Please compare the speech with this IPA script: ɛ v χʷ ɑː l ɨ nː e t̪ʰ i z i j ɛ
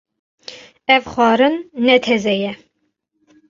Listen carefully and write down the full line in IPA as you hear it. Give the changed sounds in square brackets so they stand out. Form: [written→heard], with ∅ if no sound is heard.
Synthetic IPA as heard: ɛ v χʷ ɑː [l→ɾ] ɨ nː [e→ɛ] t̪ʰ [i→ɛ] z [i→ɛ] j ɛ

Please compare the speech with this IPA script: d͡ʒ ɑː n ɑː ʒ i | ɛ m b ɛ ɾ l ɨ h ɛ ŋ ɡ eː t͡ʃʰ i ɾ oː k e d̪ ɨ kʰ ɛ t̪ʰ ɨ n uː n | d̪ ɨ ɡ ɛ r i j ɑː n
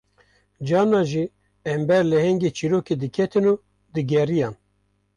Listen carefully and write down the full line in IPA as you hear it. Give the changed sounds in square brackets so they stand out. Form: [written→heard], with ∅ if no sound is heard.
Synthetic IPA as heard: d͡ʒ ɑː n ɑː ʒ i | ɛ m b ɛ ɾ l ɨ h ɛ ŋ ɡ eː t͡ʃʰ i ɾ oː k e d̪ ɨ kʰ ɛ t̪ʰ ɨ n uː [n→∅] | d̪ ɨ ɡ ɛ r i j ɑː n

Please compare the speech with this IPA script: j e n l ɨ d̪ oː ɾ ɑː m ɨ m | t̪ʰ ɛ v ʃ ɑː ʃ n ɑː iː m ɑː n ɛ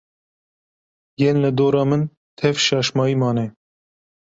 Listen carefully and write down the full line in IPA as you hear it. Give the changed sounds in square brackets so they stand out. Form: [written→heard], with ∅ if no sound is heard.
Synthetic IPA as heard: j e n l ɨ d̪ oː ɾ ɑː m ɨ [m→n] | t̪ʰ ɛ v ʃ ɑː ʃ [n→m] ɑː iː m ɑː n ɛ

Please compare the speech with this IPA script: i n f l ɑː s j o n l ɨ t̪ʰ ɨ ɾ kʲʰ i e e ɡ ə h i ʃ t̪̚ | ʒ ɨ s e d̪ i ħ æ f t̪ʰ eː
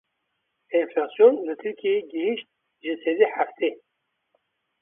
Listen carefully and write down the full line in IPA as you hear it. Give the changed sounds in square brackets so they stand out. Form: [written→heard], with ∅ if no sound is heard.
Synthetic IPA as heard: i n f l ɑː s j o n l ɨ t̪ʰ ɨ ɾ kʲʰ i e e ɡ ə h i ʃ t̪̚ | ʒ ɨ s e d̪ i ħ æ f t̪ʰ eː

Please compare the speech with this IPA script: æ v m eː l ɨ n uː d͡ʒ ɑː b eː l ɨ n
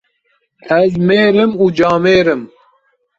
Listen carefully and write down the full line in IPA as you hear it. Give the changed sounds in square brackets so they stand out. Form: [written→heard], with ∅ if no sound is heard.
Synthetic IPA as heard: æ [v→z] m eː [l→ɾ] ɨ [n→m] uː d͡ʒ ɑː [b→m] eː [l→ɾ] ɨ [n→m]

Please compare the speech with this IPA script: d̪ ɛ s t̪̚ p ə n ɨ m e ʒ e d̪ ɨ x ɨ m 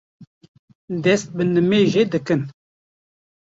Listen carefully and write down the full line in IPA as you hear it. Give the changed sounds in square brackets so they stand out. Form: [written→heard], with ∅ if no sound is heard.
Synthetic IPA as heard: d̪ ɛ s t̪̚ [p→b] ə n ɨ m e ʒ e d̪ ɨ [x→k] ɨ [m→n]

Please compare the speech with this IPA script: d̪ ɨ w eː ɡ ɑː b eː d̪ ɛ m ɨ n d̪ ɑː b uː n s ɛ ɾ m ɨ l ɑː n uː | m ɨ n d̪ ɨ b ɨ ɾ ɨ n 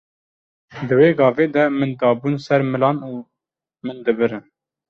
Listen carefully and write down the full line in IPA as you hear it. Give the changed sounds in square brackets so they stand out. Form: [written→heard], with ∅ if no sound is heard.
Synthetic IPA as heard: d̪ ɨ w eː ɡ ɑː [b→v] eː d̪ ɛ m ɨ n d̪ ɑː b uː n s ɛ ɾ m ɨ l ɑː n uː | m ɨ n d̪ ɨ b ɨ ɾ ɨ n

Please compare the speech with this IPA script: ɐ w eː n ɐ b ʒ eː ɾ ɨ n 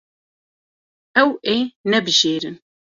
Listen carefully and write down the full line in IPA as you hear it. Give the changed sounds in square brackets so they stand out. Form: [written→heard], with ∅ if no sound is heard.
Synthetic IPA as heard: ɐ w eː n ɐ b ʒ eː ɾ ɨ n

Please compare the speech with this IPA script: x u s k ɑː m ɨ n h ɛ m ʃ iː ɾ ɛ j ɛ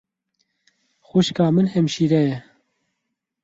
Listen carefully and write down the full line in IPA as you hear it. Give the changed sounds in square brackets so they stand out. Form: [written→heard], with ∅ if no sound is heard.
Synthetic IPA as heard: x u [s→ʃ] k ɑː m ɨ n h ɛ m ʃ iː ɾ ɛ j ɛ

